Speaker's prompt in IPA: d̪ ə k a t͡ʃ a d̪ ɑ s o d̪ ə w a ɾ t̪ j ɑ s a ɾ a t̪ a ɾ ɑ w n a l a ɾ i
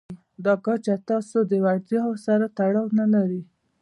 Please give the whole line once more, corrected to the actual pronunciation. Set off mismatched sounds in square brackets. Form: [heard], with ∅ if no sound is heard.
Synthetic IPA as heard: d̪ [ɑ] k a t͡ʃ a [t̪] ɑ s o d̪ ə w a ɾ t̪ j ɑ s a ɾ a t̪ a [ɽ] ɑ w n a l a ɾ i